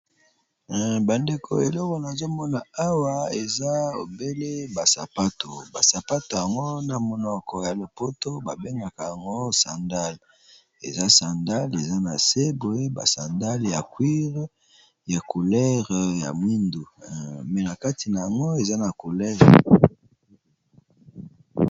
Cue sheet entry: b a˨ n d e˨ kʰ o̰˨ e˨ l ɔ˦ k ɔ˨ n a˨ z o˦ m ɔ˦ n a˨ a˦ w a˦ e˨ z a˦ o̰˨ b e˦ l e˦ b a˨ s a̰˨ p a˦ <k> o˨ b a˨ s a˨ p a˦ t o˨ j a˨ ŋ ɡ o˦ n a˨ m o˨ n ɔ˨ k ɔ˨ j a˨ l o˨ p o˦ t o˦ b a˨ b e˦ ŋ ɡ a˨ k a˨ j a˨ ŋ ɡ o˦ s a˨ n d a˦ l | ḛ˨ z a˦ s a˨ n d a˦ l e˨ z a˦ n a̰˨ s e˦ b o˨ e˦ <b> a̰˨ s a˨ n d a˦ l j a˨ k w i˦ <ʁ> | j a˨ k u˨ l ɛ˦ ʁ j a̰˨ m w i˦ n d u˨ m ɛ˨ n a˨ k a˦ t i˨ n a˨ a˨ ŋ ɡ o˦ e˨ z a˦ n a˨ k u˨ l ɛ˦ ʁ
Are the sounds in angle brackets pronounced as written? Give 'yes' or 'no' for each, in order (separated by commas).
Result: no, yes, yes